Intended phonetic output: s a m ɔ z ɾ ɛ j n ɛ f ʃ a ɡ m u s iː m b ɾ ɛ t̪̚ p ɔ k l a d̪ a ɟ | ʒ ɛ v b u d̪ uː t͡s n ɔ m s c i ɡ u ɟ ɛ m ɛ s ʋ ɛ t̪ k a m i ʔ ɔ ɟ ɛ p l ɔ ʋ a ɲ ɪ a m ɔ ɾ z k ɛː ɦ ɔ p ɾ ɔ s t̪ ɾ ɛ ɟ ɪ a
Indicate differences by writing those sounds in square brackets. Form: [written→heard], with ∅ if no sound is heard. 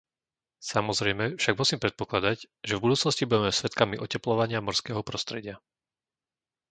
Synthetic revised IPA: s a m ɔ z ɾ ɛ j [n→m] ɛ f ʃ a ɡ m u s iː m [b→p] ɾ ɛ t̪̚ p ɔ k l a d̪ a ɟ | ʒ ɛ v b u d̪ uː t͡s n ɔ [m→∅] s c i [ɡ→b] u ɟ ɛ m ɛ s ʋ ɛ t̪ k a m i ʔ ɔ [ɟ→c] ɛ p l ɔ ʋ a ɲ ɪ a m ɔ ɾ [z→s] k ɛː ɦ ɔ p ɾ ɔ s t̪ ɾ ɛ ɟ ɪ a